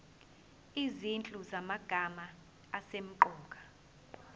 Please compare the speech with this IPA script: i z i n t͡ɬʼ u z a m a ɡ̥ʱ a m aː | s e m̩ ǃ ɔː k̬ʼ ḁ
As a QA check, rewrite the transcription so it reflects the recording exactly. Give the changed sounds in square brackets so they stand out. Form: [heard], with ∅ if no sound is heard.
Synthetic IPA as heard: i z i n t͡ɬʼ u z a m a ɡ̥ʱ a m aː | s e m̩ ǃ ɔː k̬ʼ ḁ